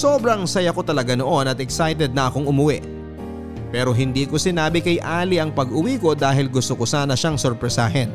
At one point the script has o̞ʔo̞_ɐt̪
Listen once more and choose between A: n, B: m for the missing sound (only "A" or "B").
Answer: A